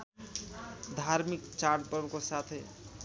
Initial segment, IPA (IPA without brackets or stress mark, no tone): d̪ʱ